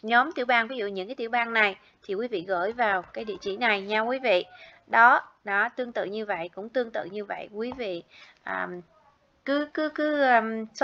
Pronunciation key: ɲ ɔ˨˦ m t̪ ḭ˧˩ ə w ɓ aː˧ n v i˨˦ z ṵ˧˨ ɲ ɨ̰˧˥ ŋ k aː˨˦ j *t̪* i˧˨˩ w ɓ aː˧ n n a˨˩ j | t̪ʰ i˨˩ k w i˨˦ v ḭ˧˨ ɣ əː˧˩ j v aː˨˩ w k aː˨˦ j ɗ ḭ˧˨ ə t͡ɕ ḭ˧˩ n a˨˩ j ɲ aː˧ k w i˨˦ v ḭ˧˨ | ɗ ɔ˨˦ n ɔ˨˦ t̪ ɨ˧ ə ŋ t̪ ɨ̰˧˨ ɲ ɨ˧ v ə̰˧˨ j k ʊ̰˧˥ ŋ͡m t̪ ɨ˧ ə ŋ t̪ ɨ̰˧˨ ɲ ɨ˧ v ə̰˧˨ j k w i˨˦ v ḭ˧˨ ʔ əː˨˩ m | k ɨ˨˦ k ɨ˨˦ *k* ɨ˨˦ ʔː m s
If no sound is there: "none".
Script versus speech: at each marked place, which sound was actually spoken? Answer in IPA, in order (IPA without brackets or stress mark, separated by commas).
t̪, k